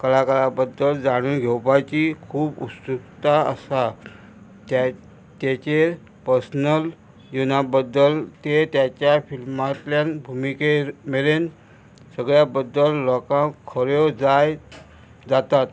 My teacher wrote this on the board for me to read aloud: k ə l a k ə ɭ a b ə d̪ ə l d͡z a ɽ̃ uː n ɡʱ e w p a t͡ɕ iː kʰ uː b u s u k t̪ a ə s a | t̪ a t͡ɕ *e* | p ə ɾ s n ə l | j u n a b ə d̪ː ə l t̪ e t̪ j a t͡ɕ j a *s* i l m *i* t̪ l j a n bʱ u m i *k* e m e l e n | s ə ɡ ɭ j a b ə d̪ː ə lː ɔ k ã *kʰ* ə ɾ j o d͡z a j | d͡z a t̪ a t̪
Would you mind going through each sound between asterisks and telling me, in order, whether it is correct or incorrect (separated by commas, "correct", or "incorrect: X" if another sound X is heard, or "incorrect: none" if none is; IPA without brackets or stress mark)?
correct, incorrect: f, incorrect: a, correct, correct